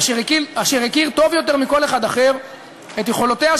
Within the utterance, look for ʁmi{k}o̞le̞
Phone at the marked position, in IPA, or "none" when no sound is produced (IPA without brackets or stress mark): k